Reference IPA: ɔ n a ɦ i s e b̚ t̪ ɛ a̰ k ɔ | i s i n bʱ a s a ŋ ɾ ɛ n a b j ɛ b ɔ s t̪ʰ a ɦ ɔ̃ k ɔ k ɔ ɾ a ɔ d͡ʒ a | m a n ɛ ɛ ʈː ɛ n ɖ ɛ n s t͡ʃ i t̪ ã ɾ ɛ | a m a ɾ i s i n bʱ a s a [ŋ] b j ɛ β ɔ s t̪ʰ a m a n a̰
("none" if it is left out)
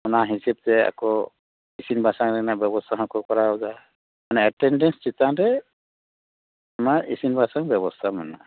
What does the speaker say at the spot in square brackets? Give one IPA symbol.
ŋ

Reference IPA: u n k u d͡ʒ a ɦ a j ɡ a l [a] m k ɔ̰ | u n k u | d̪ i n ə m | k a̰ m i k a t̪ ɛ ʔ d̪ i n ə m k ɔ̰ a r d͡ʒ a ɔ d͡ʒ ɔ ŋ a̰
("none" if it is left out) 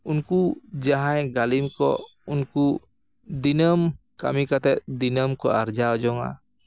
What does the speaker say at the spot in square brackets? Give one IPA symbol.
i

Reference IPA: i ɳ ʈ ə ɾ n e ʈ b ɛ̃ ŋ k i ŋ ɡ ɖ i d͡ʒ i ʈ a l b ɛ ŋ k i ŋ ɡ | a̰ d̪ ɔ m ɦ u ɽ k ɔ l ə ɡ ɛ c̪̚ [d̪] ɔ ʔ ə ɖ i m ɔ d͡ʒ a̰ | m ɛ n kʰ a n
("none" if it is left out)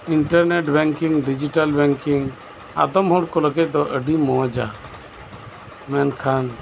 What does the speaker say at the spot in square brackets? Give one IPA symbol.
d̪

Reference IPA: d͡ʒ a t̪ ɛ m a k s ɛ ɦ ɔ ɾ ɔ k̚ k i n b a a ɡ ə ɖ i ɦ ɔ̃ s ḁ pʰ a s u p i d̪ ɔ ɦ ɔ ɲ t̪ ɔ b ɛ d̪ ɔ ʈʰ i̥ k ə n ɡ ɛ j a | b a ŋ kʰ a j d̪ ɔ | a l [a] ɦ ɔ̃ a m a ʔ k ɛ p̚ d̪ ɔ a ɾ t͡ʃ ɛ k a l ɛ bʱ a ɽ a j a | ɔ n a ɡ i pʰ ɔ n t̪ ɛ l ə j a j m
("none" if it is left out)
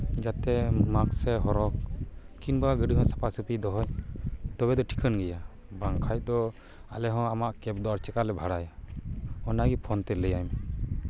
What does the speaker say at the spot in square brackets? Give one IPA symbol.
ɛ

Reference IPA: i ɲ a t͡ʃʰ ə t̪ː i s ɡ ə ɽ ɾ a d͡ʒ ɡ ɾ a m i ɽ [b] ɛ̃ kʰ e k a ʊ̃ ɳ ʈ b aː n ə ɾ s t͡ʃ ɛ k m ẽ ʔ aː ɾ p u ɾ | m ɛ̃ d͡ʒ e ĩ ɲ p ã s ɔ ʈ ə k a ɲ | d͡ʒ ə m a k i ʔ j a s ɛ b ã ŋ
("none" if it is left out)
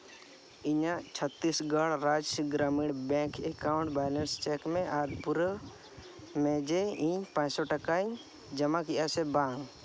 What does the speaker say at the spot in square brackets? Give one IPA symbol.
b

